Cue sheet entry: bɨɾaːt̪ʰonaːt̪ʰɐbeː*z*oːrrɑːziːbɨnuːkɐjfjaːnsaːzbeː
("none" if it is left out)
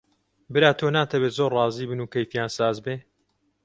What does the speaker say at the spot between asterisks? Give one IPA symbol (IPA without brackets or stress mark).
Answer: z